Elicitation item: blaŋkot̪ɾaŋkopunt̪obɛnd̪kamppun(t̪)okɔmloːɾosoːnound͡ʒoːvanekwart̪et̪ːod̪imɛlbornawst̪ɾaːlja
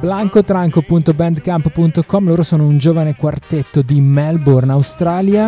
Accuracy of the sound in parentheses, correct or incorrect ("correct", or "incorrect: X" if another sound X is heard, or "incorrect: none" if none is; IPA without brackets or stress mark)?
correct